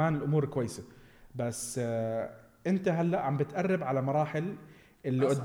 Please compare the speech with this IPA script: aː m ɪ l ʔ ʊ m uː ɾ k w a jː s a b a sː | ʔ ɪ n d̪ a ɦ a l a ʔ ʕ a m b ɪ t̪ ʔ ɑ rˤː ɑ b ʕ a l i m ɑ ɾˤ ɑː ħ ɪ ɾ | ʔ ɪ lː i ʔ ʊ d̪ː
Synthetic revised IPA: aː n ɪ l ʔ ʊ m uː ɾ k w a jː s a b a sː | ʔ ɪ n t̪ a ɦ a lː a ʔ ʕ a m b ɪ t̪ ʔ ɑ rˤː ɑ b ʕ a l a m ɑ ɾˤ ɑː ħ ɪ l | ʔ ɪ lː i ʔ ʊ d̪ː